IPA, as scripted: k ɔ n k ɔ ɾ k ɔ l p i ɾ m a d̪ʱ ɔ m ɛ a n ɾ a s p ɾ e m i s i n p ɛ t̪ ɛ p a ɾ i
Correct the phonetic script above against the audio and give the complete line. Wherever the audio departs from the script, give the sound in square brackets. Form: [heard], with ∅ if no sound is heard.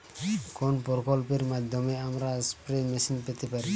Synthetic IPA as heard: k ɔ n [p] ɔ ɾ k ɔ l p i ɾ m a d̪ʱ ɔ m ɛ a [m] ɾ a s p ɾ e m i s i n p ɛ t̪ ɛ p a ɾ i

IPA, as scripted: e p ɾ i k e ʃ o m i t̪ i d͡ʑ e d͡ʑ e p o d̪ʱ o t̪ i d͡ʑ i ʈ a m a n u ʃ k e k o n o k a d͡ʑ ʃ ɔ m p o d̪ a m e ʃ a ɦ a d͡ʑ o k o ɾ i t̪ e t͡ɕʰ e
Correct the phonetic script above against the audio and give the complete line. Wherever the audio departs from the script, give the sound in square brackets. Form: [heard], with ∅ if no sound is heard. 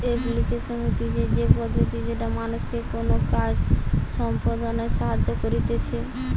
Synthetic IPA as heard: e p [l] i k e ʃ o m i t̪ i d͡ʑ e d͡ʑ e p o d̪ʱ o t̪ i d͡ʑ [e] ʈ a m a n u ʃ k e k o n o k a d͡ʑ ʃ ɔ m p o d̪ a [n] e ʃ a ɦ a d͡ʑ o k o ɾ i t̪ e t͡ɕʰ e

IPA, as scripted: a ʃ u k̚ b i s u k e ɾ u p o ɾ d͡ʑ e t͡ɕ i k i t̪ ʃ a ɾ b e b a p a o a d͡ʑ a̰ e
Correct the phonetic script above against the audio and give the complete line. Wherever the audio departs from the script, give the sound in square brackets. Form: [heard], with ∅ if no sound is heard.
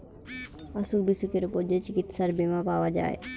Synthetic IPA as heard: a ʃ u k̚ b i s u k e ɾ u p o ɾ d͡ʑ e t͡ɕ i k i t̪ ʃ a ɾ b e [m] a p a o a d͡ʑ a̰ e

